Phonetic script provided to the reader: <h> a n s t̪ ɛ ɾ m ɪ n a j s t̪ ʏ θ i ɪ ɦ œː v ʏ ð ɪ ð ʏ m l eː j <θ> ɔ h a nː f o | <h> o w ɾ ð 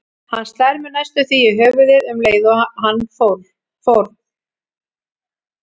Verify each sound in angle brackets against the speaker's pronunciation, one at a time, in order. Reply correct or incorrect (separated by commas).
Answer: correct, incorrect, incorrect